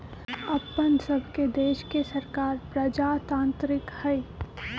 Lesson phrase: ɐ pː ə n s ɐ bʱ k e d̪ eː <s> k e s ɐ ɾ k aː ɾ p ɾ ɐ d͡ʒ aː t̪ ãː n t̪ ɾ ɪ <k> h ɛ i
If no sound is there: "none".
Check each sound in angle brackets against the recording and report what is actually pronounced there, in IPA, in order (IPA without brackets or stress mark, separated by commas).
ʃ, k